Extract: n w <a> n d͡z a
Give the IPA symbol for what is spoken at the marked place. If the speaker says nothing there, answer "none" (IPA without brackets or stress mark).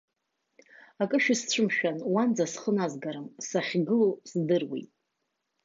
a